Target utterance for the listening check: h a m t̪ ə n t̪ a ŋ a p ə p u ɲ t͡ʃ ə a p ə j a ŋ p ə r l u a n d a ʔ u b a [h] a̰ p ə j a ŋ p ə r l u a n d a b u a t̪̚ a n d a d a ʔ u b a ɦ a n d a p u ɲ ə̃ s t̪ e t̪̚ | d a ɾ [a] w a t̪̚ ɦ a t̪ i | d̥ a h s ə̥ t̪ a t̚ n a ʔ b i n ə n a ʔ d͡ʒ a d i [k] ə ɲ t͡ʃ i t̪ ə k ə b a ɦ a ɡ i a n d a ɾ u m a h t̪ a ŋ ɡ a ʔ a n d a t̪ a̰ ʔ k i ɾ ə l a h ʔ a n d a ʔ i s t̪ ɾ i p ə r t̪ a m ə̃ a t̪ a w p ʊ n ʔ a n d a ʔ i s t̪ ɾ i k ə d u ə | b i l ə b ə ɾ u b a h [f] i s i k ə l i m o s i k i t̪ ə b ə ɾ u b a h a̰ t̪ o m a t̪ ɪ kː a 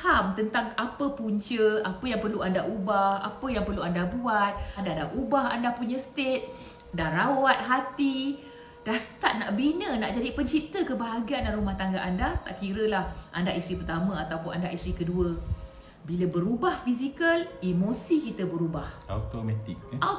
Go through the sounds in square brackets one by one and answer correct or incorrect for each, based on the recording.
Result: correct, correct, incorrect: p, correct

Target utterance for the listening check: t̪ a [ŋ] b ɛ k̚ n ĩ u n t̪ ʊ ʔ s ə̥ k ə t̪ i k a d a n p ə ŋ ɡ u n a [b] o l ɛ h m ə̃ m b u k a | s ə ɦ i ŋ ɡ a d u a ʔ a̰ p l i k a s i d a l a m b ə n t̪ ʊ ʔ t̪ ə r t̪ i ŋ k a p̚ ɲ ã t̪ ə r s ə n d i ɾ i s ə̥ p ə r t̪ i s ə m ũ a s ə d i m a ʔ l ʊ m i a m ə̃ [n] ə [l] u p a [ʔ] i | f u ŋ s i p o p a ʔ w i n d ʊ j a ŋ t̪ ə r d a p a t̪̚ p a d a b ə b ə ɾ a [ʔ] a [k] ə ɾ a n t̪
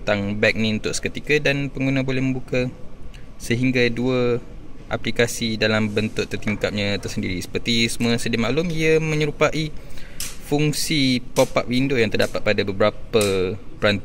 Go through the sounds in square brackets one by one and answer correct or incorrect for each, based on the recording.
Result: correct, correct, incorrect: ɲ, incorrect: ɾ, correct, incorrect: p, incorrect: p

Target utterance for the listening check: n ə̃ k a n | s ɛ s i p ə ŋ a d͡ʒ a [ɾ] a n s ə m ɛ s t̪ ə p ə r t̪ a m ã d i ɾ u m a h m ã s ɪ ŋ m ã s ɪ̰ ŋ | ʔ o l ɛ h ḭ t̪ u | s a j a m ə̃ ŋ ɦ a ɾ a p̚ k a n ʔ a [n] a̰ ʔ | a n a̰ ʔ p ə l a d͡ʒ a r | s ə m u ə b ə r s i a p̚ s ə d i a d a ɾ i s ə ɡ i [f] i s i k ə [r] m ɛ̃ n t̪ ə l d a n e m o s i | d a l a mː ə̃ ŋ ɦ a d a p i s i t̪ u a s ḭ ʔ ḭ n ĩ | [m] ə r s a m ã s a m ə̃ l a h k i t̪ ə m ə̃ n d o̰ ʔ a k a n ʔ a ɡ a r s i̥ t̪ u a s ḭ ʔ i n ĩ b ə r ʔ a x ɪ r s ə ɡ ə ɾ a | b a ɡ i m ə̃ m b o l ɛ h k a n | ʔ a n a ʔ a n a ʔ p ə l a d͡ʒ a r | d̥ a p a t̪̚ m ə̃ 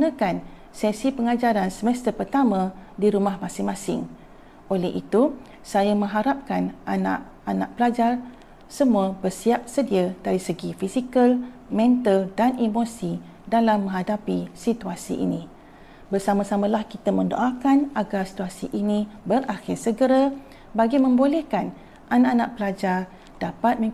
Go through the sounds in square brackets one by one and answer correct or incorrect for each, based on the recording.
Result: correct, correct, correct, incorrect: l, incorrect: b

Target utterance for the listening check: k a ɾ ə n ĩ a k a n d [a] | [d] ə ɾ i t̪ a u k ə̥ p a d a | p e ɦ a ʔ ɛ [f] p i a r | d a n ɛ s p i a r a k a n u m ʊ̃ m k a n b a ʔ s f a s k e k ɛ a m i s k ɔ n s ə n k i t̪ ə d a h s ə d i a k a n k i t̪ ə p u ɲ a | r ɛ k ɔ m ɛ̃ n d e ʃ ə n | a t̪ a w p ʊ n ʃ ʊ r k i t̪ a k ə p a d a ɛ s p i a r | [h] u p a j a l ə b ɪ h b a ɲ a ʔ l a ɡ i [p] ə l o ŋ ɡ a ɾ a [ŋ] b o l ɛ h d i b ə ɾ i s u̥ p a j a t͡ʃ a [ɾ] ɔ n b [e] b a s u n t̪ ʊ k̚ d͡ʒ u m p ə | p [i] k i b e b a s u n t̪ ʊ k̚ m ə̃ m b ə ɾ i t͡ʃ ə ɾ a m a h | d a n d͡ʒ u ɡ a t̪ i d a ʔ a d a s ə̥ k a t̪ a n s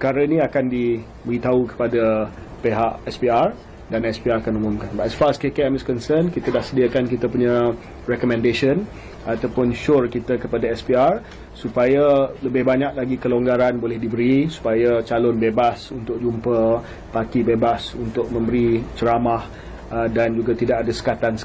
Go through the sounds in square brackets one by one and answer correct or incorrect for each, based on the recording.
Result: incorrect: i, incorrect: b, incorrect: s, incorrect: s, incorrect: k, incorrect: n, incorrect: l, correct, incorrect: a

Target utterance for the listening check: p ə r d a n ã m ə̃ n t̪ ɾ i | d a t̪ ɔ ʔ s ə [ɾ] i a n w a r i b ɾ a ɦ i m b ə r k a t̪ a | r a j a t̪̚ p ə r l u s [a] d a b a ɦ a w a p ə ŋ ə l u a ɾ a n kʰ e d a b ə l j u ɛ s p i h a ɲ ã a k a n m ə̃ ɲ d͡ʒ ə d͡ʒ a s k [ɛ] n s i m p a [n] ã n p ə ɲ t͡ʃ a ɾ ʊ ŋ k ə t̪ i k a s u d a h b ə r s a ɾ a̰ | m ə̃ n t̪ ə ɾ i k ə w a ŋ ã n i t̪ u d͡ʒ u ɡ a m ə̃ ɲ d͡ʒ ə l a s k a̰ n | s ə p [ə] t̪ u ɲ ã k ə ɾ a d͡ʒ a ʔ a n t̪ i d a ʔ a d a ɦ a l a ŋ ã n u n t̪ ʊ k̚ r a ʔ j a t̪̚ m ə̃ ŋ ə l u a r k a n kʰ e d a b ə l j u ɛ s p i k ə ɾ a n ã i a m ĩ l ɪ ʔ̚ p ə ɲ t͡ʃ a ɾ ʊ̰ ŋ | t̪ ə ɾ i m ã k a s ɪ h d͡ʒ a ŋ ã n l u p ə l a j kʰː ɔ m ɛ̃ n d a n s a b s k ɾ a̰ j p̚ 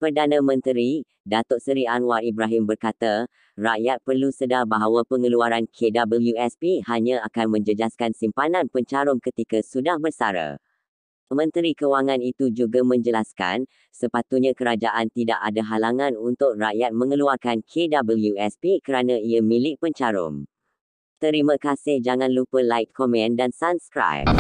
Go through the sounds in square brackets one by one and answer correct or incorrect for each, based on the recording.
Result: correct, incorrect: ə, incorrect: a, correct, incorrect: a

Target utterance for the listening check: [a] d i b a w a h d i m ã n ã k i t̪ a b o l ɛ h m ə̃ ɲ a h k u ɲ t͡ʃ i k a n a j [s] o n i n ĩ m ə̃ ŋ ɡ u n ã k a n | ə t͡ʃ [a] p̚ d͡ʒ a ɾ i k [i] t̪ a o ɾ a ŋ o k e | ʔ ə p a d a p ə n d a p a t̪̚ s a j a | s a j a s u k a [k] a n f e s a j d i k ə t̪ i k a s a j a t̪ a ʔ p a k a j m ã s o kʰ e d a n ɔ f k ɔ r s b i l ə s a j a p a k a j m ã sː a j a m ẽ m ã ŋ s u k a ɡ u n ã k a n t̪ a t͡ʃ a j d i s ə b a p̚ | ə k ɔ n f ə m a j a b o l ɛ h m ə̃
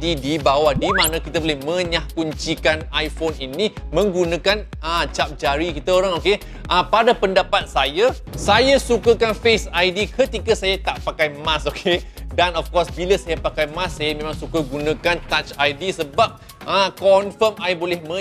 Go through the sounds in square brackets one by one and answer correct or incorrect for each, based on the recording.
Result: incorrect: i, incorrect: f, correct, correct, correct

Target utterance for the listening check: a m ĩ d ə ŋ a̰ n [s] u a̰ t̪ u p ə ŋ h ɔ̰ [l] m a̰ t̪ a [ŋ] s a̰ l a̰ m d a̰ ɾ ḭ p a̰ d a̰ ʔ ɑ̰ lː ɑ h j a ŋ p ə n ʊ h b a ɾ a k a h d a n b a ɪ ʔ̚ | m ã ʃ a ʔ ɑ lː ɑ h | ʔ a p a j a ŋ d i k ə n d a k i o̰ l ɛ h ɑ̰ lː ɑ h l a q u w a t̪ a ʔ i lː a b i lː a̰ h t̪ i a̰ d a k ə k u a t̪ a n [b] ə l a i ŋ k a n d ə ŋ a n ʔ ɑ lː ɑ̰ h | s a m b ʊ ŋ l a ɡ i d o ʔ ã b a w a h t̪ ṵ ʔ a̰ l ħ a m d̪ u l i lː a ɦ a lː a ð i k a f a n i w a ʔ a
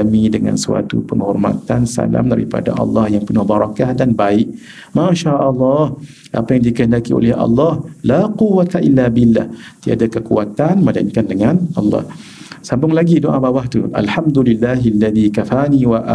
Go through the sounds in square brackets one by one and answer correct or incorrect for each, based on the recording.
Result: correct, incorrect: r, incorrect: n, incorrect: m

